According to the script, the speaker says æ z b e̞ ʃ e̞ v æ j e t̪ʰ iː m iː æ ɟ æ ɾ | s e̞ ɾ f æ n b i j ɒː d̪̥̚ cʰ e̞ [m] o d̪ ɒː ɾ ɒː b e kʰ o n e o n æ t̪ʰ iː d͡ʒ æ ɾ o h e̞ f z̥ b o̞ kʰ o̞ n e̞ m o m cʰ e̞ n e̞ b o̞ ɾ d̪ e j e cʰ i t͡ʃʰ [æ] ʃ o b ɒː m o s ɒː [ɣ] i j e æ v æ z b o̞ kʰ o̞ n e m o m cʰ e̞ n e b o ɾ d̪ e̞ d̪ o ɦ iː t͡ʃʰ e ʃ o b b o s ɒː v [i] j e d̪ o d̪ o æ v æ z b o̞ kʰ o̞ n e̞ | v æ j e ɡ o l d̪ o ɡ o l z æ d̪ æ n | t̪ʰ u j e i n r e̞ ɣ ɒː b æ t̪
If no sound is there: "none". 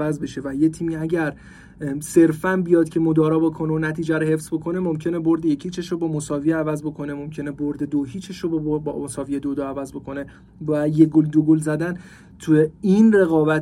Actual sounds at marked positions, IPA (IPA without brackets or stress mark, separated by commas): m, e, v, i